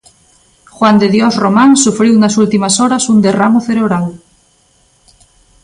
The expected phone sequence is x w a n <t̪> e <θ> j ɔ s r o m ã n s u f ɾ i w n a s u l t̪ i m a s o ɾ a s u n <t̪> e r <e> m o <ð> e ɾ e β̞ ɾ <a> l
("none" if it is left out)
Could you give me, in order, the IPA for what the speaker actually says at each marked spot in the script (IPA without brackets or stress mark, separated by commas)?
d̪, ð, d̪, a, θ, a